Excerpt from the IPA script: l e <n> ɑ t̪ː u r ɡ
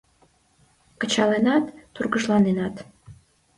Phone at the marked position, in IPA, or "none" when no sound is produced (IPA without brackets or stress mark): n